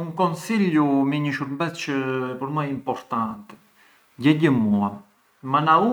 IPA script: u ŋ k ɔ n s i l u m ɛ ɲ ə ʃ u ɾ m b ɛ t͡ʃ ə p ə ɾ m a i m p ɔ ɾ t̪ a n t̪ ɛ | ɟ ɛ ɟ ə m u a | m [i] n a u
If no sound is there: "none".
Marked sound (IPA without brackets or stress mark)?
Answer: a